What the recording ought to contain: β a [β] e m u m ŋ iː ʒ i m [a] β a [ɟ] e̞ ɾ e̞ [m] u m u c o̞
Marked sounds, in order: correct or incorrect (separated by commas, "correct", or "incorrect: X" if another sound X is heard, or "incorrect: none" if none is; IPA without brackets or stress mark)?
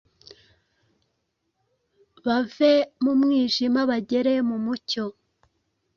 incorrect: v, correct, correct, correct